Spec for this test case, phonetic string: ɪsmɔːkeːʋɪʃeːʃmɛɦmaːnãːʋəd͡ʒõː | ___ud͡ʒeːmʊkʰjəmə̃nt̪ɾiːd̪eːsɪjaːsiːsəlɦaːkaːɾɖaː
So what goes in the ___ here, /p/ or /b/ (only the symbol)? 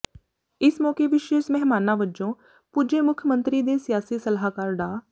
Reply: p